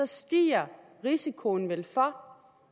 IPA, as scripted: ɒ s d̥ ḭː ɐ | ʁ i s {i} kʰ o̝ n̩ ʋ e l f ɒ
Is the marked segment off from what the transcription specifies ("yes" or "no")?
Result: no